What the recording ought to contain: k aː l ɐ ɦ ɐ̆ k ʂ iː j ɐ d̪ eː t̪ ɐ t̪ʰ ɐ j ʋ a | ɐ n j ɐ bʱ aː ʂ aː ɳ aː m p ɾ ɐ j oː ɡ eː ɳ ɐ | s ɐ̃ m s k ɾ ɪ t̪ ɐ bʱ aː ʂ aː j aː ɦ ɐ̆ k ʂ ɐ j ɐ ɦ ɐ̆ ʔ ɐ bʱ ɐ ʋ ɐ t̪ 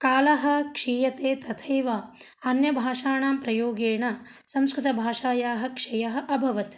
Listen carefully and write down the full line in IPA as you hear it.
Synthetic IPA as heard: k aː l ɐ ɦ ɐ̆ k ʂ iː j ɐ t̪ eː t̪ ɐ t̪ʰ ɐ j ʋ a | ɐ n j ɐ bʱ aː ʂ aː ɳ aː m p ɾ ɐ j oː ɡ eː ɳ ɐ | s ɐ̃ m s k ɾ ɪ t̪ ɐ bʱ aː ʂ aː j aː ɦ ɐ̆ k ʂ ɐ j ɐ ɦ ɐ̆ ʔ ɐ bʱ ɐ ʋ ɐ t̪

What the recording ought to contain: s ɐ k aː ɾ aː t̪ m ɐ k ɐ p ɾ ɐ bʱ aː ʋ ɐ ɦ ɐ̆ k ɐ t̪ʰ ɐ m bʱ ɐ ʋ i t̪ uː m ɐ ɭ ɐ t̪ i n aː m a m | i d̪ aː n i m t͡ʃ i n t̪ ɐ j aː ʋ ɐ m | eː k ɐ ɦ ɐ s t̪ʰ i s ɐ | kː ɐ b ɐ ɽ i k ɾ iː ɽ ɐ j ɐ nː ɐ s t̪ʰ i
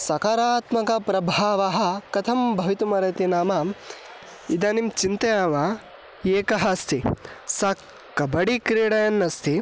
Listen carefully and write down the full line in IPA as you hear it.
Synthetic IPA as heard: s ɐ k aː ɾ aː t̪ m ɐ k ɐ p ɾ ɐ bʱ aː ʋ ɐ ɦ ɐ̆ k ɐ t̪ʰ ɐ m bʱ ɐ ʋ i t̪ u m ɐ ɾ ɐ t̪ i n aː m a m | i d̪ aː n i m t͡ʃ i n t̪ ɐ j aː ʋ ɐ | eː k ɐ ɦ ɐ s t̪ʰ i s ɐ | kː ɐ b ɐ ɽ i k ɾ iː ɽ ɐ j ɐ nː ɐ s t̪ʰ i

